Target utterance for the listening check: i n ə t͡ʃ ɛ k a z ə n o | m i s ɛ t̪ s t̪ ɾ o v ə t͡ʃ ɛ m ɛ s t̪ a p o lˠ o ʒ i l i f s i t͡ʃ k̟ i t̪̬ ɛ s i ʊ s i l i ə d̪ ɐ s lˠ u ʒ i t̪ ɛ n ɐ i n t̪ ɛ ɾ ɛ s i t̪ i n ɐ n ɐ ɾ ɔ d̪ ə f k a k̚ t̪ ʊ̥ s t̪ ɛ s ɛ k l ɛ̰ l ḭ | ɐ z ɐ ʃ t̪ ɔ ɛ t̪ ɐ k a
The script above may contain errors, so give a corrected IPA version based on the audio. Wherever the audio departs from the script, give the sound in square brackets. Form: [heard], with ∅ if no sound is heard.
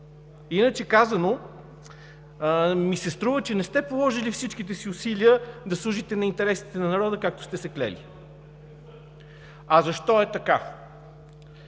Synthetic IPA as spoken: i n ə t͡ʃ ɛ k a z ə n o | m i s ɛ [∅] s t̪ ɾ [u] v ə t͡ʃ ɛ [n] ɛ s t̪ [ɛ] p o lˠ [ɔ] ʒ i l i f s i t͡ʃ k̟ i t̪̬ ɛ s i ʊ s i l i ə d̪ ɐ s lˠ u ʒ i t̪ ɛ n ɐ i n t̪ ɛ ɾ ɛ s i t̪ [ɛ] n ɐ n ɐ ɾ ɔ d̪ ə [∅] k a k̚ t̪ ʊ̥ s t̪ ɛ s ɛ k l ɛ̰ l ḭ | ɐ z ɐ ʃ t̪ ɔ ɛ t̪ ɐ k a